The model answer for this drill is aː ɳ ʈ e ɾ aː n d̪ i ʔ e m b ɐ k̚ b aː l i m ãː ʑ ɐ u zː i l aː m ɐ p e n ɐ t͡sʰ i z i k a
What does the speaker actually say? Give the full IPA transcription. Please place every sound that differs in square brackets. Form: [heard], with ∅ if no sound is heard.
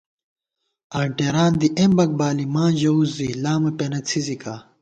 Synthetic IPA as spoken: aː ɳ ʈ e ɾ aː n d̪ i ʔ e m b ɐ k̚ b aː l i m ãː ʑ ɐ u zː i l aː m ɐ p e n ɐ t͡sʰ i z i k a